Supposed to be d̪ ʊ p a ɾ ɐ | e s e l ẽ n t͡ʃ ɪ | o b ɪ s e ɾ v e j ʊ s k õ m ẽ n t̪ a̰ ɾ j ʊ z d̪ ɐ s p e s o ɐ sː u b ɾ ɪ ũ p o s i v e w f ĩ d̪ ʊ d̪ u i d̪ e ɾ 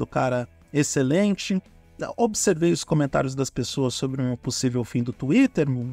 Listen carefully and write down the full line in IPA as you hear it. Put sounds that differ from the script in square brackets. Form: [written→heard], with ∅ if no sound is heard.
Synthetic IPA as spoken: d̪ ʊ [p→k] a ɾ ɐ | e s e l ẽ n t͡ʃ ɪ | o b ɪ s e ɾ v e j ʊ s k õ m ẽ n t̪ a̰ ɾ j ʊ z d̪ ɐ s p e s o ɐ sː [u→o] b ɾ ɪ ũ p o s i v e w f ĩ d̪ ʊ [d̪→t̪] u i [d̪→t̪] e ɾ